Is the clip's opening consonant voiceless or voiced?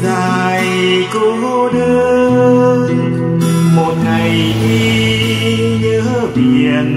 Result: voiced